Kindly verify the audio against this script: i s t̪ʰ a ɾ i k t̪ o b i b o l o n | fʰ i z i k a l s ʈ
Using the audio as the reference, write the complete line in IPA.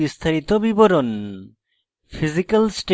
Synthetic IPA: i s t̪ʰ a ɾ i t̪ o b i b o ɾ o n | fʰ i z i k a l s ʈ